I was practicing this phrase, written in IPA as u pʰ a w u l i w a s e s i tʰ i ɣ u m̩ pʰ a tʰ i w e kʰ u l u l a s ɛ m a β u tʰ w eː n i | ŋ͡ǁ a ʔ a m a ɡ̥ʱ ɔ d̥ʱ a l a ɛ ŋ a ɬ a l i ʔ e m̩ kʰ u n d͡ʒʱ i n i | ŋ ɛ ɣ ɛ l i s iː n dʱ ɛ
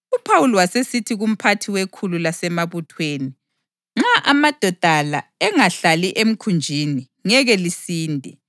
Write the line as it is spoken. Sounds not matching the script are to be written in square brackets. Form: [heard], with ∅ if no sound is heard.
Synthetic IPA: u pʰ a w u l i w a s e s i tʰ i ɣ u m̩ pʰ a tʰ i w e kʰ u l u l a s ɛ m a β u tʰ w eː n i | ŋ͡ǁ a ʔ a m a [d̥ʱ] ɔ d̥ʱ a l a ɛ ŋ a ɬ a l i ʔ e m̩ kʰ u n d͡ʒʱ i n i | ŋ ɛ ɣ ɛ l i s iː n dʱ ɛ